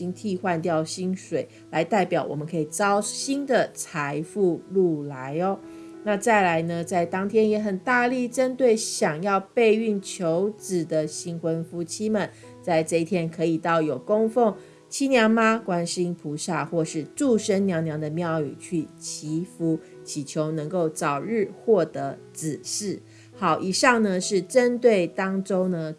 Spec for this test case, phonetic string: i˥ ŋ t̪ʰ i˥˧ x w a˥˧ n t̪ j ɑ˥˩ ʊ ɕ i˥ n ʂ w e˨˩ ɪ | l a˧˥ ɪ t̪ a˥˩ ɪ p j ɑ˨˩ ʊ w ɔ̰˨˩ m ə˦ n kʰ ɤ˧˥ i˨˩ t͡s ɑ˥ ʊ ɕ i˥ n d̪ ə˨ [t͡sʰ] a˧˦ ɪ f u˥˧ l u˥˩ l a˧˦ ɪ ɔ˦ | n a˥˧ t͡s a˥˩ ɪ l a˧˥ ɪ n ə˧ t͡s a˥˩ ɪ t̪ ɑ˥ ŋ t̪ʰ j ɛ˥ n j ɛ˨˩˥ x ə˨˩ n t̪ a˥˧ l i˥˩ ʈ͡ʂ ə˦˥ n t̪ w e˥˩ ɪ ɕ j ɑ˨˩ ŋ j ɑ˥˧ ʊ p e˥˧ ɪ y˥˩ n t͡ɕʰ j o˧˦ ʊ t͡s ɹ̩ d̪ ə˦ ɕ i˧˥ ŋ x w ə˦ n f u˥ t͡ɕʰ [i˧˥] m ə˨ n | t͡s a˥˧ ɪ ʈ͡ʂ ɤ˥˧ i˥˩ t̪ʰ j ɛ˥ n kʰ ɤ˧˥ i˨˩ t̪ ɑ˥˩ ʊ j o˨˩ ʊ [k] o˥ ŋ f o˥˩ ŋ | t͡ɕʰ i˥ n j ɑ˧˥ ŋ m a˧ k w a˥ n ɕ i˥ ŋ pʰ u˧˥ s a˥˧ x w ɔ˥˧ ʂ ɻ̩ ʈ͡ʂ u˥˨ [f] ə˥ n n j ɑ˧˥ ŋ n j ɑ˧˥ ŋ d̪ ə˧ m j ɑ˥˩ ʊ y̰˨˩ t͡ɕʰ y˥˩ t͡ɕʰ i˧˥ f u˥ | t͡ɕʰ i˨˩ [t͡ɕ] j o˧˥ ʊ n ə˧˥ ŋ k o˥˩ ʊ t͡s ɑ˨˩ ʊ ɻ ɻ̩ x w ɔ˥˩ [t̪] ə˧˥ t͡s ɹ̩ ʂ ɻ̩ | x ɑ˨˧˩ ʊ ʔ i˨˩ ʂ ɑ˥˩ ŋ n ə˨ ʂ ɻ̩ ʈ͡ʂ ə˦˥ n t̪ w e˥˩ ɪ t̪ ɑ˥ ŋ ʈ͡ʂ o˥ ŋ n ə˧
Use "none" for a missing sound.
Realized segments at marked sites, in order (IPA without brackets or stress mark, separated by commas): t͡sʰ, i˥, k, ʂ, t͡ɕʰ, t̪